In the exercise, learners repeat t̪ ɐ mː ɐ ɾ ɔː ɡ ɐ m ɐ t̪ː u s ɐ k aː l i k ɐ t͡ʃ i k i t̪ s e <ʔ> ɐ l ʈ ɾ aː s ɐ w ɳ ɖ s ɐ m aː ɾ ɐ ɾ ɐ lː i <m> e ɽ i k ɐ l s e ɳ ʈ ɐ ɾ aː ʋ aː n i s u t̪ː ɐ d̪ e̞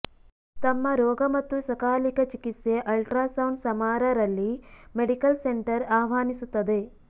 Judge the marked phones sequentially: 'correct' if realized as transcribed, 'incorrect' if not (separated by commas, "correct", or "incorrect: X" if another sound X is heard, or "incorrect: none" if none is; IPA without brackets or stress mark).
correct, correct